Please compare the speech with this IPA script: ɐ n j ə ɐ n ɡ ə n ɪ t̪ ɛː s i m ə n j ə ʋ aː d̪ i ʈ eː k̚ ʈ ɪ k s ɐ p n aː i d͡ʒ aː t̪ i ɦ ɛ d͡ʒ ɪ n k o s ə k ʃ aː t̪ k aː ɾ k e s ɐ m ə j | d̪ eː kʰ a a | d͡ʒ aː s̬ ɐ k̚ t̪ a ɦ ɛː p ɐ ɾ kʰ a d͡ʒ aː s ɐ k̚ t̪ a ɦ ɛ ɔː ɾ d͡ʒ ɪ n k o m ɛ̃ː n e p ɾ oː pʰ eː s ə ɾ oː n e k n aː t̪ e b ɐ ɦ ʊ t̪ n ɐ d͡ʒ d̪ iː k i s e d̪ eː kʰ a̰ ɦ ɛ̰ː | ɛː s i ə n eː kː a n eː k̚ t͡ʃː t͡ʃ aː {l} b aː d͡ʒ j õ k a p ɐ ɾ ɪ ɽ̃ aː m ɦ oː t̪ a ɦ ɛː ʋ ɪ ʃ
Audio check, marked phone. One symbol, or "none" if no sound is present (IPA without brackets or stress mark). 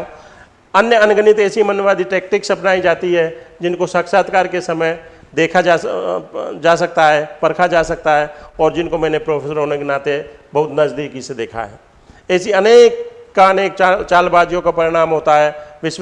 l